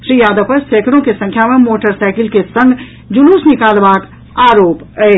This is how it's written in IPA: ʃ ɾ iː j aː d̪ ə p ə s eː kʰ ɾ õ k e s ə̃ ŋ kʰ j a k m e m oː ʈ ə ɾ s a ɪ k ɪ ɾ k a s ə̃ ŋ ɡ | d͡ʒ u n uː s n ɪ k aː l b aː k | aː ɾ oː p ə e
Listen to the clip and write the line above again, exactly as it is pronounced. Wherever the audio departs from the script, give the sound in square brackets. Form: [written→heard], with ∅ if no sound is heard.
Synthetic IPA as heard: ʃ ɾ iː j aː d̪ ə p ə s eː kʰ ɾ õ k e s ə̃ ŋ kʰ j a [k→∅] m e m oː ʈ ə ɾ s a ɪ k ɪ [ɾ→l] k [a→e] s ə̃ ŋ ɡ | d͡ʒ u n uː s n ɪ k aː l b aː k | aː ɾ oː p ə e